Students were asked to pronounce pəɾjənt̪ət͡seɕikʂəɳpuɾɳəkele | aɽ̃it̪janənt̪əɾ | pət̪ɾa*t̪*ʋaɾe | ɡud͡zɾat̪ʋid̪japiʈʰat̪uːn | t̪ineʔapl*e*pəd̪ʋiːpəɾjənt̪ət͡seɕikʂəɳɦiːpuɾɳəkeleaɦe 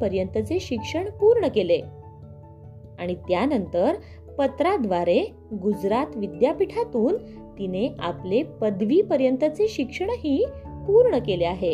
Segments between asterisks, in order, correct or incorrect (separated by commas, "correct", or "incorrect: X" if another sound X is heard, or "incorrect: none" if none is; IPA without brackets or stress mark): incorrect: d̪, correct